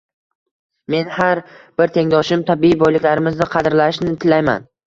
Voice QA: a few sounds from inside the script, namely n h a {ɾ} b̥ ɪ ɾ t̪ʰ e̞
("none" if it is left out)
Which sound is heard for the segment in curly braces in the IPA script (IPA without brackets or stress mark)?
ɾ